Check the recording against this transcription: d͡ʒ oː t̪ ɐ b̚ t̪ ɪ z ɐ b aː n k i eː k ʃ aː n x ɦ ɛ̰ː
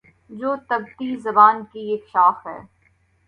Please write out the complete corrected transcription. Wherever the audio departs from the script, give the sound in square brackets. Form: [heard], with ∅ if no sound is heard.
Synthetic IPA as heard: d͡ʒ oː t̪ ɐ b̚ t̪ [i] z ɐ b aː n k i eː k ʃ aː [∅] x ɦ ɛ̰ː

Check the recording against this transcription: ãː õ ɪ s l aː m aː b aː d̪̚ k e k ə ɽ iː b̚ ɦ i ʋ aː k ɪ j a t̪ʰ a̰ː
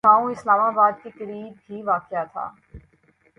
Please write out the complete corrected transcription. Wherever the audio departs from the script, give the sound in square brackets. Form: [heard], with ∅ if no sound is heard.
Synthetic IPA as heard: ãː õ ɪ s l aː m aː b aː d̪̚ k e k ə [ɾ] iː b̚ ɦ i ʋ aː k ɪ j a t̪ʰ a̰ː

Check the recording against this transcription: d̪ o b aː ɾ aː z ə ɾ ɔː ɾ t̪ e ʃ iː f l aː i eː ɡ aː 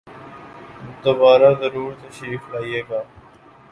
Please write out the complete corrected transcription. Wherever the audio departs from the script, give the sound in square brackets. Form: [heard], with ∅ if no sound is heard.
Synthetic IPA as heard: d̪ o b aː ɾ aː z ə ɾ [uː] ɾ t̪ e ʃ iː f l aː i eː ɡ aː

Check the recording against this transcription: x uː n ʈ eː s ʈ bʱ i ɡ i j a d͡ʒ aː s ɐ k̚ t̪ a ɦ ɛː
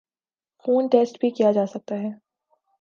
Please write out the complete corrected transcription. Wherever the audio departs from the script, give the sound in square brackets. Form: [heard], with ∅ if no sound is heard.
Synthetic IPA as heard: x uː n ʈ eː s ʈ bʱ i [k] i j a d͡ʒ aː s ɐ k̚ t̪ a ɦ ɛː

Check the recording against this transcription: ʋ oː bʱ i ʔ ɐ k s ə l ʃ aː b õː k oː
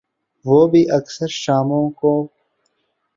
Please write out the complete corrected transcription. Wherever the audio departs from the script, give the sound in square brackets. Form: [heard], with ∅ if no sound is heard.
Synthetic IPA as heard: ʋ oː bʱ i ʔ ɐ k s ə [ɾ] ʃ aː [m] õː k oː

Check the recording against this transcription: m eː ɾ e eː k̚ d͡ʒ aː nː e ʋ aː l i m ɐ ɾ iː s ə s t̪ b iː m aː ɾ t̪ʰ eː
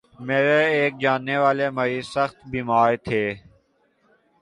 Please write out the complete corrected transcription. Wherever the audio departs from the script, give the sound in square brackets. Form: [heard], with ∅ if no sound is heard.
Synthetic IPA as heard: m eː ɾ e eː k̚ d͡ʒ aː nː e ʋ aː l [e] m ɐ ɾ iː s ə [x] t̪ b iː m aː ɾ t̪ʰ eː

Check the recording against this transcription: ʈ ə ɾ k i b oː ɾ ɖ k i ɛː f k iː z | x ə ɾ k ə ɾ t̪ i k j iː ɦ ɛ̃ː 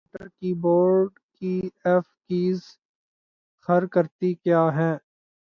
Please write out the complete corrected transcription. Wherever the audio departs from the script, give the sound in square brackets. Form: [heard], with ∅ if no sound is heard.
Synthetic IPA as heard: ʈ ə ɾ k i b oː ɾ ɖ k i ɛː f k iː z | x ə ɾ k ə ɾ t̪ i k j [aː] ɦ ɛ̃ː

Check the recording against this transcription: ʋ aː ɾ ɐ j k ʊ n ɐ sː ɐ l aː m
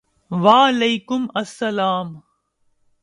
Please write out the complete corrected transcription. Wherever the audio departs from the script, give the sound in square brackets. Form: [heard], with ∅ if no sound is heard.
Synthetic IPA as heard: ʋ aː [l] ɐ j k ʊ [m] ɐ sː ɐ l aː m

